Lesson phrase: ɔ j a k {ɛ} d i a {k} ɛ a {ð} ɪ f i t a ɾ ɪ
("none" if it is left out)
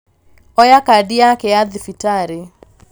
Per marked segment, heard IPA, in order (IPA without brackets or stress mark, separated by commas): a, k, ð